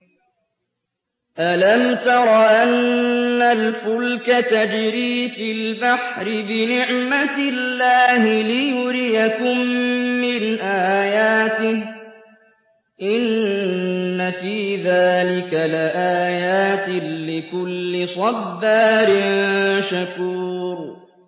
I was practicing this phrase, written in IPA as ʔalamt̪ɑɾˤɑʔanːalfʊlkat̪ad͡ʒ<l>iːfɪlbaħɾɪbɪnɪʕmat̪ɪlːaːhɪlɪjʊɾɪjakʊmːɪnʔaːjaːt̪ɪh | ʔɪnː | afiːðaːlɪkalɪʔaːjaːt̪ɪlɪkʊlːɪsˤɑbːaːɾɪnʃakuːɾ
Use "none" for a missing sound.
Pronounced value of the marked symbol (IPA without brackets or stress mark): ɾ